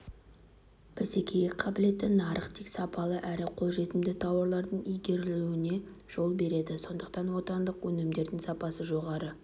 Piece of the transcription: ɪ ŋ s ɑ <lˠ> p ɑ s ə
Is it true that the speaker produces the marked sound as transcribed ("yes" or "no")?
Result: no